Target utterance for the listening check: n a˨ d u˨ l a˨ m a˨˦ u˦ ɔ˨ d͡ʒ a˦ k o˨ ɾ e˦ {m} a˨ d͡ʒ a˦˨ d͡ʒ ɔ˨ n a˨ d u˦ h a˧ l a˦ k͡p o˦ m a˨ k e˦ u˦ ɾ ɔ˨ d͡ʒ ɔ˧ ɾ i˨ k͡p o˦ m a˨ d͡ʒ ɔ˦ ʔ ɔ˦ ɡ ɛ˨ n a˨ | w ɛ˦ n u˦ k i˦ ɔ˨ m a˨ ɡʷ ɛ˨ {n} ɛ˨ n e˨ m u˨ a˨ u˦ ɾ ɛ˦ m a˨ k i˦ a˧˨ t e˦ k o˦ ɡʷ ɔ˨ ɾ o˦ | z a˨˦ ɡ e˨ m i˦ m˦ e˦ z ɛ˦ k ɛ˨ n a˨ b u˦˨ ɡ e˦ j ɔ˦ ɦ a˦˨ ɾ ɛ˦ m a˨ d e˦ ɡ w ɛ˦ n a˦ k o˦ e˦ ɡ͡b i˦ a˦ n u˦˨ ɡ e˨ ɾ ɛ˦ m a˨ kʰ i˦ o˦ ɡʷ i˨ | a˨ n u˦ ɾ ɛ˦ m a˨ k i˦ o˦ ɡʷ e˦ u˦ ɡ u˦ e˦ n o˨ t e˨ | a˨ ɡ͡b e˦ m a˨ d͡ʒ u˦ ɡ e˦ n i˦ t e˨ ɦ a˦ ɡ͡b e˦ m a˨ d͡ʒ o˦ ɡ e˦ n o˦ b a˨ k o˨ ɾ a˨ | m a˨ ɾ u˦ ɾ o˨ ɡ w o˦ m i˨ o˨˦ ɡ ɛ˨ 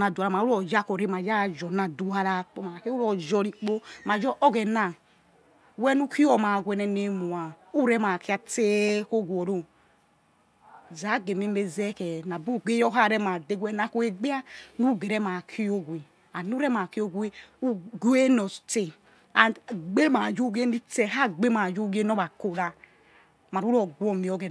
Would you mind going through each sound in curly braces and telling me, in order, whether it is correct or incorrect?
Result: correct, correct

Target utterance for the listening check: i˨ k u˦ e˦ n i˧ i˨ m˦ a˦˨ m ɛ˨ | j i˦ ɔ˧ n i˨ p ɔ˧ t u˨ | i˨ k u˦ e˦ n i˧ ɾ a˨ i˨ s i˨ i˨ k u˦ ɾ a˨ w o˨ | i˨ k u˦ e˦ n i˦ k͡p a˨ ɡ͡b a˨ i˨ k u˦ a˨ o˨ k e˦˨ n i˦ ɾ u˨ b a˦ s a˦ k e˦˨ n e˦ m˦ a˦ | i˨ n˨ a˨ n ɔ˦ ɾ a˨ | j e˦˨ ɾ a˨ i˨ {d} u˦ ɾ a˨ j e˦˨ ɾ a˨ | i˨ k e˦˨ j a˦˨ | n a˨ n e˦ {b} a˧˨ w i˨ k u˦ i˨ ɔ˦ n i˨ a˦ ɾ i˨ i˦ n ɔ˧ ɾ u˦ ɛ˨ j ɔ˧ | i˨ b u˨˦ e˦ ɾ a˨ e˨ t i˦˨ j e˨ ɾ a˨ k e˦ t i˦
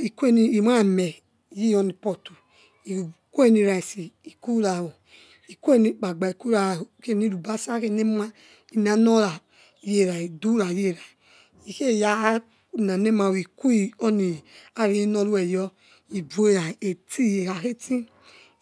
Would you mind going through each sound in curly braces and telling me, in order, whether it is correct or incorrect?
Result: correct, incorrect: m

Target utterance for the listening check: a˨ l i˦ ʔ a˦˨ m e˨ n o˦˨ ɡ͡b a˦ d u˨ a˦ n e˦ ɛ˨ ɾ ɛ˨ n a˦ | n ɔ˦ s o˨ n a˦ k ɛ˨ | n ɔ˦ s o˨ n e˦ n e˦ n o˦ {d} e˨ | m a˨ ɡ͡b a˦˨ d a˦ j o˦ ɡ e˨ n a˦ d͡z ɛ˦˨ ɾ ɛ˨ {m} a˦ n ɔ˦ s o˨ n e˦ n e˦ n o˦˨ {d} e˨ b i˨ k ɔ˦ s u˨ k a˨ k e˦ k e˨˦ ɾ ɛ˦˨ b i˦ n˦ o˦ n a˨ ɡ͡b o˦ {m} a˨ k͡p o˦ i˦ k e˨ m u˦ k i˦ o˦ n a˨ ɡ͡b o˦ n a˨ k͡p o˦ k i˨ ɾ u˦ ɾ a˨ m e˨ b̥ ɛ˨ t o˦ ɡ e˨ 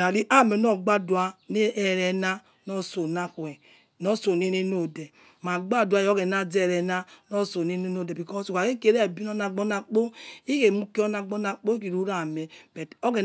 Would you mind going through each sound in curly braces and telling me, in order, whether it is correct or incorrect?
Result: correct, incorrect: n, correct, incorrect: n

